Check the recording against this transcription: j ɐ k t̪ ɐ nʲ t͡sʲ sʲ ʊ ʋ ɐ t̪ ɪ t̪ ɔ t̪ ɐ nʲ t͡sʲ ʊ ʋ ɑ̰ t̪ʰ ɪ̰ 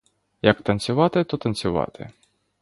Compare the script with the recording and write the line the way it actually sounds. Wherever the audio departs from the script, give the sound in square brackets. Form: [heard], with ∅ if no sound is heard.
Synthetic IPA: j ɐ k t̪ ɐ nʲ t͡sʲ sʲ ʊ ʋ [ɑ] t̪ ɪ t̪ ɔ t̪ ɐ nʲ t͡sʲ ʊ ʋ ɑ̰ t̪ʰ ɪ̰

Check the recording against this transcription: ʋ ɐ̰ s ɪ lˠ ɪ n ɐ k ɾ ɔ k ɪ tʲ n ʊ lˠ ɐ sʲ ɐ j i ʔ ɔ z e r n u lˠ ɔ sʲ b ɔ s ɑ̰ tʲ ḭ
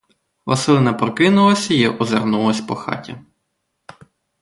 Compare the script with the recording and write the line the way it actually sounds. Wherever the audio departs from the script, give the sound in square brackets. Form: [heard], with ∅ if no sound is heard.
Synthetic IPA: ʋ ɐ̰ s ɪ lˠ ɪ n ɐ [p] ɾ ɔ k ɪ [∅] n ʊ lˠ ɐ sʲ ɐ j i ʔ ɔ z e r n u lˠ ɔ sʲ [p] ɔ [x] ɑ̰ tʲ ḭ

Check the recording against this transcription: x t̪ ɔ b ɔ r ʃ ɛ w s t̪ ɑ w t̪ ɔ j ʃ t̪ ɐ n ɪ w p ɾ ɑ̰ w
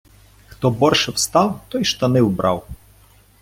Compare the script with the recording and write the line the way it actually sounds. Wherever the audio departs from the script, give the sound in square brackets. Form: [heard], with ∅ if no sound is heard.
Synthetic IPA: x t̪ ɔ b ɔ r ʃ ɛ w s t̪ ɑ w t̪ ɔ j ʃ t̪ ɐ n ɪ w [b] ɾ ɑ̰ w

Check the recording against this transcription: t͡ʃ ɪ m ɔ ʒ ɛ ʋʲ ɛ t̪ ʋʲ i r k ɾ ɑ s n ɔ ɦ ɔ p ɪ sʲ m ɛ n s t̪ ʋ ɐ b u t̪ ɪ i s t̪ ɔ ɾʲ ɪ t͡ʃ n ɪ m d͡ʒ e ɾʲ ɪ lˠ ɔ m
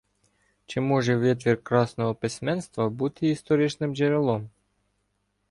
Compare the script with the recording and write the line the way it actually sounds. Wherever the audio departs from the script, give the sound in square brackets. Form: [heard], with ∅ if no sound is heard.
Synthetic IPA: t͡ʃ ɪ m ɔ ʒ ɛ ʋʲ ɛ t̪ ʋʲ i r k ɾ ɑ s n ɔ ɦ ɔ p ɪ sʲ m ɛ n s t̪ ʋ ɐ b u t̪ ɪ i s t̪ ɔ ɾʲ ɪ t͡ʃ n ɪ m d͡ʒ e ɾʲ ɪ lˠ ɔ m

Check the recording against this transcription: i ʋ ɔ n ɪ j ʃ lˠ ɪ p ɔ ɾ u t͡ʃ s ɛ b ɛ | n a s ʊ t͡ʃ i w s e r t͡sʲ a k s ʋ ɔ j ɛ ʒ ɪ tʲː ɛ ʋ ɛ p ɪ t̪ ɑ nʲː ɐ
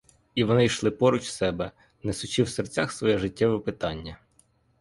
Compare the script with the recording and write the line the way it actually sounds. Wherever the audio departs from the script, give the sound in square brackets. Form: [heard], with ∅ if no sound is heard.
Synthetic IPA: i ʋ ɔ n ɪ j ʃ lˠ ɪ p ɔ ɾ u t͡ʃ s ɛ b ɛ | n [ɛ] s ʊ t͡ʃ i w s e r t͡sʲ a [x] s ʋ ɔ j ɛ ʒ ɪ tʲː ɛ ʋ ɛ p ɪ t̪ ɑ nʲː ɐ

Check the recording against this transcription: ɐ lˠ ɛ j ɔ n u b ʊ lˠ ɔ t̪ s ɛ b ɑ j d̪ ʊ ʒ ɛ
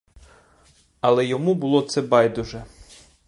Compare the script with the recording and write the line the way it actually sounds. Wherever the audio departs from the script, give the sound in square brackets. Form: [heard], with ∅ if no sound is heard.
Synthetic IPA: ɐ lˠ ɛ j ɔ [m] u b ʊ lˠ ɔ t̪ s ɛ b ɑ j d̪ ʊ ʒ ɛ

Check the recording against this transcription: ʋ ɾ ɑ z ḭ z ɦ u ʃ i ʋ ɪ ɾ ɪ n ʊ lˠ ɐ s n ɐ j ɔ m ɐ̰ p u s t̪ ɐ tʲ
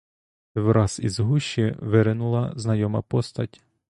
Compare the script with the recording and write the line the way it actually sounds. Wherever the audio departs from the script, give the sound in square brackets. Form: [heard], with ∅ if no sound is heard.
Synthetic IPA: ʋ ɾ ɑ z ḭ z ɦ u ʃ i ʋ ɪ ɾ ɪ n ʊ lˠ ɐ [z] n ɐ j ɔ m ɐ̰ p [ɔ] s t̪ ɐ tʲ

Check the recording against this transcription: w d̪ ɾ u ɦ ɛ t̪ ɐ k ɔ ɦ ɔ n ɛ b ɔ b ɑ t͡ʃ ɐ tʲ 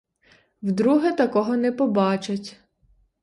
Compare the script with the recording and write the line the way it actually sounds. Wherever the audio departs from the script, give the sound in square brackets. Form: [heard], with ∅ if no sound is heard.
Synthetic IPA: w d̪ ɾ u ɦ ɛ t̪ ɐ k ɔ ɦ ɔ n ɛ [p] ɔ b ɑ t͡ʃ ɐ tʲ

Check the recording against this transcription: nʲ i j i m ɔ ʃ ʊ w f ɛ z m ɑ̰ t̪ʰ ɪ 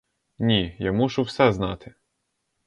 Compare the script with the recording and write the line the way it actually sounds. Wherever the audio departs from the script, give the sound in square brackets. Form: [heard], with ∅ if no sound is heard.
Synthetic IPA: nʲ i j [a] m [u] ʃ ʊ w [s] ɛ z [n] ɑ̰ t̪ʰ ɪ

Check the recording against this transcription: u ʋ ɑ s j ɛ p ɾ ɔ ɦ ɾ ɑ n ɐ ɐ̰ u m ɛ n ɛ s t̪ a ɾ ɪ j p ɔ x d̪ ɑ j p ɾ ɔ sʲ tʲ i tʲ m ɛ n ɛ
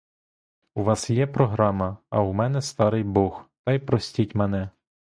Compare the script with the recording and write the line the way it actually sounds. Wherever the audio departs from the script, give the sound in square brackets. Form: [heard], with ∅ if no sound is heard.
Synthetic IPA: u ʋ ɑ s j ɛ p ɾ ɔ ɦ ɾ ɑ [m] ɐ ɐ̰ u m ɛ n ɛ s t̪ [ɑ] ɾ ɪ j [b] ɔ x [t̪] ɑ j p ɾ ɔ sʲ tʲ i tʲ m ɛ n ɛ

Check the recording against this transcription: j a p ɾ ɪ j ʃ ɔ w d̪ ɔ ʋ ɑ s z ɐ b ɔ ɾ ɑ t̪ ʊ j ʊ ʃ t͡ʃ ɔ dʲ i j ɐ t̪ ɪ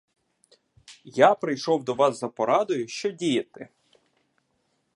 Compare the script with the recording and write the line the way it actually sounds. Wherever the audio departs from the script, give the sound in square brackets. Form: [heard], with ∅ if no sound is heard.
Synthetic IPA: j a p ɾ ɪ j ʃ ɔ w d̪ ɔ ʋ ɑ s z ɐ [p] ɔ ɾ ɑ [d̪] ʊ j ʊ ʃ t͡ʃ ɔ dʲ i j ɐ t̪ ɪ

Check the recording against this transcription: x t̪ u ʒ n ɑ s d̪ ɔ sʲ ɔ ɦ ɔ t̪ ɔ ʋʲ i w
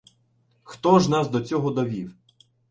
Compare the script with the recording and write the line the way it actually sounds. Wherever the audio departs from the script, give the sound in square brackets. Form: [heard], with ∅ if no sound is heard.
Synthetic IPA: x t̪ [ɔ] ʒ n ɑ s d̪ ɔ [t͡sʲ] ɔ ɦ ɔ [d̪] ɔ ʋʲ i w

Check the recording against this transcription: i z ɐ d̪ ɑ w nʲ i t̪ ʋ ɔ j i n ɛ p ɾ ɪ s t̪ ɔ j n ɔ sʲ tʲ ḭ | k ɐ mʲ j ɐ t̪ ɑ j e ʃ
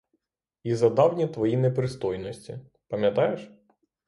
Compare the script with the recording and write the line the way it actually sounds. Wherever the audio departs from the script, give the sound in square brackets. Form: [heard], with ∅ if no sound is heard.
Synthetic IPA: i z ɐ d̪ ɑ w nʲ i t̪ ʋ ɔ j i n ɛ p ɾ ɪ s t̪ ɔ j n ɔ sʲ tʲ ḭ | [p] ɐ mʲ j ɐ t̪ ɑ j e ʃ

